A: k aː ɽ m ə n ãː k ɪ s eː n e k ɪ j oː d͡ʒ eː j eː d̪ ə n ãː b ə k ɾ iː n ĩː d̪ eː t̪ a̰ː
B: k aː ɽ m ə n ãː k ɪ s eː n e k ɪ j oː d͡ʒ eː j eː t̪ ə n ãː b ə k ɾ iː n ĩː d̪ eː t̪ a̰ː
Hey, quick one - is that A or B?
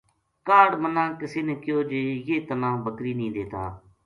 B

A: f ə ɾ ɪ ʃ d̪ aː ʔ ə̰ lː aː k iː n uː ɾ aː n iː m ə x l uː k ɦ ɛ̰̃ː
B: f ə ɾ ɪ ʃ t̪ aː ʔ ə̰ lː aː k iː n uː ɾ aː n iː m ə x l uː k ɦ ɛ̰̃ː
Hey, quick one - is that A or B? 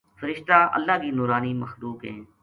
B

